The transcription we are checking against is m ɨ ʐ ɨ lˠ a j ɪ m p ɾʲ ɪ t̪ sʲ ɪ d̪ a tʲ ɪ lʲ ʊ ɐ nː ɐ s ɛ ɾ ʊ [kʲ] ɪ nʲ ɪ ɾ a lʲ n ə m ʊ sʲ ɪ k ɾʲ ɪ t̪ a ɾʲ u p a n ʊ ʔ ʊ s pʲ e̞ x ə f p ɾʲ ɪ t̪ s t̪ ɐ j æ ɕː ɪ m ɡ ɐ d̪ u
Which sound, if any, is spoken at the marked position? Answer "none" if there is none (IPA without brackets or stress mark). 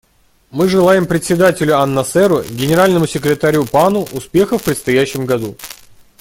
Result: ɡʲ